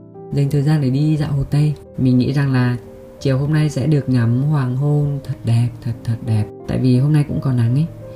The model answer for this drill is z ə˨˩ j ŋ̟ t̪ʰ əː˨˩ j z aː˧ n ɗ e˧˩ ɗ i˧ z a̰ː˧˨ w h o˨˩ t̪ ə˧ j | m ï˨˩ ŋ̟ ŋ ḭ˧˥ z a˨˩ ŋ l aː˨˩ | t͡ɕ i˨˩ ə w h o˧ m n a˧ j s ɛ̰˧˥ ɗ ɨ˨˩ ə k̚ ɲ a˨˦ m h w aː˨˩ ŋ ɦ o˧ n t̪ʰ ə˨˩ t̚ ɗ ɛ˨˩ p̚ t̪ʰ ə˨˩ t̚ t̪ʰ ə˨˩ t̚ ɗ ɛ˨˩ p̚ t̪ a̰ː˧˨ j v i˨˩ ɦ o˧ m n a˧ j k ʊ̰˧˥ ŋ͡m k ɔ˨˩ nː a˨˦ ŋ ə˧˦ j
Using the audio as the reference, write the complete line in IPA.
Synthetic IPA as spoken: z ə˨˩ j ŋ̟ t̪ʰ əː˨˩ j z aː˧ n ɗ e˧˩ ɗ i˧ z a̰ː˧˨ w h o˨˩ t̪ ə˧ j | m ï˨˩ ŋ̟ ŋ ḭ˧˥ z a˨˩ ŋ l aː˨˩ | t͡ɕ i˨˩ ə w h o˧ m n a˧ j s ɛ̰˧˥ ɗ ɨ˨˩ ə k̚ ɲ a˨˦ m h w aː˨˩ ŋ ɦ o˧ n t̪ʰ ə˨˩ t̚ ɗ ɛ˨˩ p̚ t̪ʰ ə˨˩ t̚ t̪ʰ ə˨˩ t̚ ɗ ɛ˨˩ p̚ t̪ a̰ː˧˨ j v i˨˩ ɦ o˧ m n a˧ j k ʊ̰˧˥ ŋ͡m k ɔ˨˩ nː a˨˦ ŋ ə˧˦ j